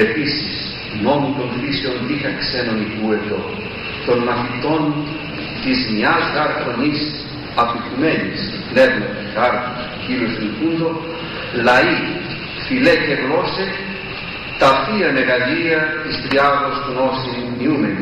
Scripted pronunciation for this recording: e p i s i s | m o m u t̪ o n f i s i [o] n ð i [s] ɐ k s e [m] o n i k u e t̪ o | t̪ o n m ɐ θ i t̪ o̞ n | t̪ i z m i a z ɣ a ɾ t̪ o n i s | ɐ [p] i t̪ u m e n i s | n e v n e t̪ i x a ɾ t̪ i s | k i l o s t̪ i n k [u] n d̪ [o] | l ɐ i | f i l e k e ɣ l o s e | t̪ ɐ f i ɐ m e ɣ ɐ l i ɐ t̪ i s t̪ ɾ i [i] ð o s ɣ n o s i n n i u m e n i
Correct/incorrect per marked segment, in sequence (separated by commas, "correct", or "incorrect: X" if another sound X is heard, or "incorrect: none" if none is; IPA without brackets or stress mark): correct, incorrect: x, incorrect: n, correct, correct, correct, incorrect: a